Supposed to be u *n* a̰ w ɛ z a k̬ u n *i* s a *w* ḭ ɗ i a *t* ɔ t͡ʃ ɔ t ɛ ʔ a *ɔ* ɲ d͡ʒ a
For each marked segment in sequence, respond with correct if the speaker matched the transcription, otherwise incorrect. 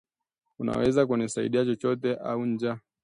correct, correct, incorrect: none, incorrect: t͡ʃ, incorrect: u

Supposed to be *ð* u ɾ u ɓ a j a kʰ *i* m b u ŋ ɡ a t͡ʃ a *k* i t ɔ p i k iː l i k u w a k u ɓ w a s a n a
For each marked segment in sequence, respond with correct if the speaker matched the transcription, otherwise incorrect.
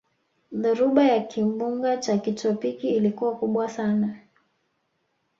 correct, correct, correct

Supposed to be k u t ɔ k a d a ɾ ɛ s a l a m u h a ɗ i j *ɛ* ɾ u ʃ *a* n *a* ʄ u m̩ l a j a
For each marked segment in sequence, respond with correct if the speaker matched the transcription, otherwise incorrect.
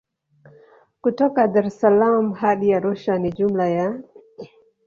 incorrect: a, correct, incorrect: i

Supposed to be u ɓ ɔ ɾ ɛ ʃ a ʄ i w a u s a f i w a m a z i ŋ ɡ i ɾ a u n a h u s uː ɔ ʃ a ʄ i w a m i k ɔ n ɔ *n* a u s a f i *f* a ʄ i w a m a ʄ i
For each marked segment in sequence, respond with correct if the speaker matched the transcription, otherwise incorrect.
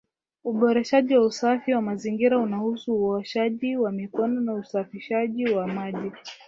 correct, incorrect: ʃ

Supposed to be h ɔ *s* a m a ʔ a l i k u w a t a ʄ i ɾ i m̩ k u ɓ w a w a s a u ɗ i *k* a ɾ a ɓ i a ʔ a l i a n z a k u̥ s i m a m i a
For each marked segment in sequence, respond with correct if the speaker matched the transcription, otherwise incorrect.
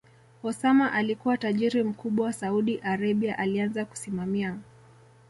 correct, incorrect: ʔ

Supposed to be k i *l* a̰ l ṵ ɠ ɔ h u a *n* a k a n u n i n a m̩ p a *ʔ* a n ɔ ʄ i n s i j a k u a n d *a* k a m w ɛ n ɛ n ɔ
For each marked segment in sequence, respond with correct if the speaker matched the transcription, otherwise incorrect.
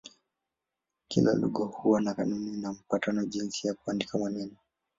correct, correct, incorrect: t, incorrect: i

